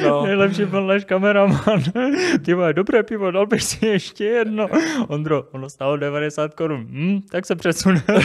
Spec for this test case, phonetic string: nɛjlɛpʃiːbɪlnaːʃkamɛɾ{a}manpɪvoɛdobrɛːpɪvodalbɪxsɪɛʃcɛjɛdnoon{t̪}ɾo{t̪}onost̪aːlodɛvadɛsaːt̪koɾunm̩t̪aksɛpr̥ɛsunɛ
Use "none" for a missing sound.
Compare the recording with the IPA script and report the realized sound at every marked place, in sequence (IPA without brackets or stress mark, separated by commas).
a, d̪, none